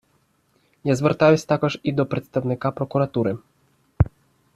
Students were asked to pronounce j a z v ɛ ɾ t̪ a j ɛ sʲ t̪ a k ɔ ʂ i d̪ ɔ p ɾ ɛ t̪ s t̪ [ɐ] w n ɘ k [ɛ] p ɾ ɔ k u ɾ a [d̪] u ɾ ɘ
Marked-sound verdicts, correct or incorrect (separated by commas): incorrect, incorrect, incorrect